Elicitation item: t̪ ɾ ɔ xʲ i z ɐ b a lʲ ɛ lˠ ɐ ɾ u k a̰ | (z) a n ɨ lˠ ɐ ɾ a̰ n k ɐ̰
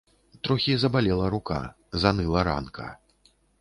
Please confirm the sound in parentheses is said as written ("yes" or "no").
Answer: yes